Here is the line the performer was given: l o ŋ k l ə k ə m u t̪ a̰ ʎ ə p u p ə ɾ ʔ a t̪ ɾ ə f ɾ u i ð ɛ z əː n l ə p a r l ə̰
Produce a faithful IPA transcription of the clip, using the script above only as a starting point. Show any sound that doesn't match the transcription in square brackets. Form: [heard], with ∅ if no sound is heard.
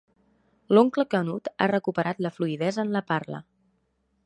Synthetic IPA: l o ŋ k l ə k ə [n] u t̪ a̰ [r] ə [k] u p ə ɾ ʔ a t̪ [l] ə f [l] u i ð ɛ z əː n l ə p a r l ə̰

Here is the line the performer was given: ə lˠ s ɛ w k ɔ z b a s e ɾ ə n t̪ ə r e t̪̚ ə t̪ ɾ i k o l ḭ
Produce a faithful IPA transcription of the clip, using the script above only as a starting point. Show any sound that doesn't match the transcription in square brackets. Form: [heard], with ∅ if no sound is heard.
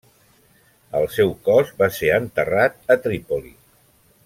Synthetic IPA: ə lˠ s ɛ w k ɔ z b a s e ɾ ə n t̪ ə r [a] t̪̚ ə t̪ ɾ i [p] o l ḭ

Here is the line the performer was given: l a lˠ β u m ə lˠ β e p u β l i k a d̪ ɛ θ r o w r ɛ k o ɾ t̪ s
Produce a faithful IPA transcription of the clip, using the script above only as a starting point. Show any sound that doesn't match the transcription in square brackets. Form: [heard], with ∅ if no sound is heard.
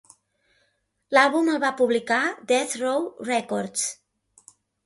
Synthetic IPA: l a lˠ β u m ə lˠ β [a] p u β l i k a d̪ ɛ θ r o w r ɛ k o ɾ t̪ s

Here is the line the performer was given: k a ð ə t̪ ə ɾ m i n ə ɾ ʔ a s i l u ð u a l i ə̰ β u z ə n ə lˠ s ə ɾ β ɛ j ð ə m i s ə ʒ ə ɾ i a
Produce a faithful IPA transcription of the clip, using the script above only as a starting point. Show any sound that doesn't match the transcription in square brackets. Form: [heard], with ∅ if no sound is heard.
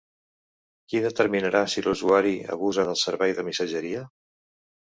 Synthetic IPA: k [i] ð ə t̪ ə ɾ m i n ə ɾ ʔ a s i l u [z] u a [ɾ] i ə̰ β u z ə n ə lˠ s ə ɾ β ɛ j ð ə m i s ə ʒ ə ɾ i [ə]

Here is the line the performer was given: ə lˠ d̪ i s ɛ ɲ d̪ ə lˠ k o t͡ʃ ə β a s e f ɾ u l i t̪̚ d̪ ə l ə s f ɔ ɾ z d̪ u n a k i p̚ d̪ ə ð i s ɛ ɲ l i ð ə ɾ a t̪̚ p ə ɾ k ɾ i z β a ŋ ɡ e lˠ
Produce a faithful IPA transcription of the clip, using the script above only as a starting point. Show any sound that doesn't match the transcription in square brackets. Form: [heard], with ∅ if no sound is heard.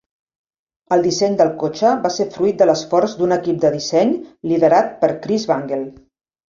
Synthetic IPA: ə lˠ d̪ i s ɛ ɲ d̪ ə lˠ k o t͡ʃ ə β a s e f ɾ u [∅] i t̪̚ d̪ ə l ə s f ɔ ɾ z d̪ u n [ə] k i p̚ d̪ ə ð i s ɛ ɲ l i ð ə ɾ a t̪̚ p ə ɾ k ɾ i z β a ŋ ɡ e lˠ

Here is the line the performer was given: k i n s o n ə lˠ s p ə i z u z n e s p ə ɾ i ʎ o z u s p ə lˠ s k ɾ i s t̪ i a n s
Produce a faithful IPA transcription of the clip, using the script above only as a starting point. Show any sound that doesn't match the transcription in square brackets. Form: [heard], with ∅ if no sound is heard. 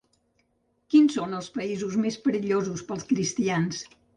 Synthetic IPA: k i n s o n ə lˠ s p ə i z u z [m] e s p ə ɾ i ʎ o z u s p ə lˠ s k ɾ i s t̪ i a n s

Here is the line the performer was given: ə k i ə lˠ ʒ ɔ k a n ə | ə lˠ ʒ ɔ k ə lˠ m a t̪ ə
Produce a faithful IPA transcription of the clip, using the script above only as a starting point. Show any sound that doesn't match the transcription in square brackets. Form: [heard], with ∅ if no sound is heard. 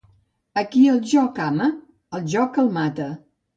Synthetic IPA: ə k i ə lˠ ʒ ɔ k a [m] ə | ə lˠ ʒ ɔ k ə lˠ m a t̪ ə

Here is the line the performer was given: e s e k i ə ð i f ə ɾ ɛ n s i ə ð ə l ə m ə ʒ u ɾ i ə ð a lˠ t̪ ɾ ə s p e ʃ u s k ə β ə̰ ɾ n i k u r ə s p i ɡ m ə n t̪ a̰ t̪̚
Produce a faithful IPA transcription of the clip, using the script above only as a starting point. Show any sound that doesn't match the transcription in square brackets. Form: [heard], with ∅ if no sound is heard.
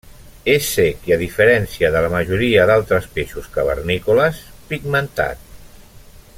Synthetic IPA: e s e k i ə ð i f ə ɾ ɛ n s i ə ð ə l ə m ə ʒ u ɾ i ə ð a lˠ t̪ ɾ ə s p e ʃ u s k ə β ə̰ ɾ n i k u [l] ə s p i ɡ m ə n t̪ a̰ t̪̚

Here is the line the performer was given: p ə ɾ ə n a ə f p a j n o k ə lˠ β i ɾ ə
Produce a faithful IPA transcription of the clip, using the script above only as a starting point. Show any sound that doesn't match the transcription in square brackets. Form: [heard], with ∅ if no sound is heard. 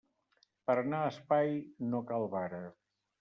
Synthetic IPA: p ə ɾ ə n a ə [s] p a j n o k [a] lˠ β [a] ɾ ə

